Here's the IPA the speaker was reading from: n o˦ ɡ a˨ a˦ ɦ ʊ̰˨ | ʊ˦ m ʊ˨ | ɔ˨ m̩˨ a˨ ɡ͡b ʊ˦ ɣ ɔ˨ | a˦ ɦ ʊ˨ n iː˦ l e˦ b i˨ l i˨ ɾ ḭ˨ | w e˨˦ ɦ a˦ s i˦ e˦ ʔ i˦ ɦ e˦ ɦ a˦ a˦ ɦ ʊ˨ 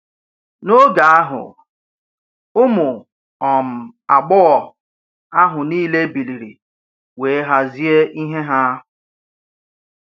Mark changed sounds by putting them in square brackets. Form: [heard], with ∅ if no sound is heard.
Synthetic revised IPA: n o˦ ɡ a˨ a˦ ɦ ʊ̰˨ | ʊ˦ m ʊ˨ | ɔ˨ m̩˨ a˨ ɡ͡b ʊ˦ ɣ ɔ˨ | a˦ ɦ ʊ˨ n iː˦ l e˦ b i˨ l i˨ ɾ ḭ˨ | w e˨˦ ɦ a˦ [z] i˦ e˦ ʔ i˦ ɦ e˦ ɦ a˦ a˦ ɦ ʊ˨